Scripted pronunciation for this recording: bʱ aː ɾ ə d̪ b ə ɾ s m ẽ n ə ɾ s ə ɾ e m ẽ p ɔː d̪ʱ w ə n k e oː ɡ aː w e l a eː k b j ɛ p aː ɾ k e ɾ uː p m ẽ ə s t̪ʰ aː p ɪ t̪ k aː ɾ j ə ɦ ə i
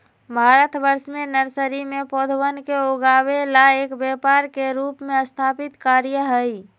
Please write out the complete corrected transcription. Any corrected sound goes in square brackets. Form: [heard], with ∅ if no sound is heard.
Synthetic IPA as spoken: bʱ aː ɾ ə [t̪] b ə ɾ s m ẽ n ə ɾ s ə ɾ [i] m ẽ p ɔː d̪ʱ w ə n k e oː ɡ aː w e l a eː k b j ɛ p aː ɾ k e ɾ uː p m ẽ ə s t̪ʰ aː p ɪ t̪ k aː ɾ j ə ɦ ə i